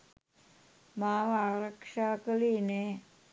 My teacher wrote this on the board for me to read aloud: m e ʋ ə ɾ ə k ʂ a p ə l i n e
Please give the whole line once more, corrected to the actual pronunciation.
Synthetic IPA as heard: m a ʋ a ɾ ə k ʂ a k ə l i n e